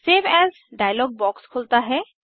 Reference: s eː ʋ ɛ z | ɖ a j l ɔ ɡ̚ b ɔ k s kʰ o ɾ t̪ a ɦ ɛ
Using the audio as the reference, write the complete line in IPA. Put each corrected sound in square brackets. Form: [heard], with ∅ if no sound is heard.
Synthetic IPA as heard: s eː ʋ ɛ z | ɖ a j l ɔ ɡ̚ b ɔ k s kʰ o [l] t̪ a ɦ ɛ